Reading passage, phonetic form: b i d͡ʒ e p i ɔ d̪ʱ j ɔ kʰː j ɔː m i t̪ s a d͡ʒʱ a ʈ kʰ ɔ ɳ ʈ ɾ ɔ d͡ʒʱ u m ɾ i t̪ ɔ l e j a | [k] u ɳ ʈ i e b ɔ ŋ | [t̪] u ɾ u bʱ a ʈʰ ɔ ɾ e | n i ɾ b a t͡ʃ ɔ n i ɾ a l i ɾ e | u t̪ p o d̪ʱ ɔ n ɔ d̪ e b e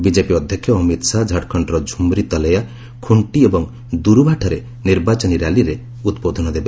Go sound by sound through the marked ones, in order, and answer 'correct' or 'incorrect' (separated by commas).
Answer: incorrect, incorrect